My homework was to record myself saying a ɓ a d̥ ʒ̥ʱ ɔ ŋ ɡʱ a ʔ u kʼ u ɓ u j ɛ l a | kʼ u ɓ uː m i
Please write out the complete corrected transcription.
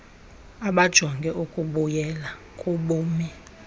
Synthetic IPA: a ɓ a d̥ ʒ̥ʱ ɔ ŋ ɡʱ ɛ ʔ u kʼ u ɓ u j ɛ l a | kʼ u ɓ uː m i